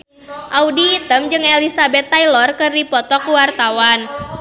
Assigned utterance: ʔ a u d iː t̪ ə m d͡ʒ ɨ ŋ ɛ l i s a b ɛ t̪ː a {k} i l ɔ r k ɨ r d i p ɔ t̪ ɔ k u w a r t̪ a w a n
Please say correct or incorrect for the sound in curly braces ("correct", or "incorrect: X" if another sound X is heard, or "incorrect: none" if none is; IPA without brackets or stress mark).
incorrect: none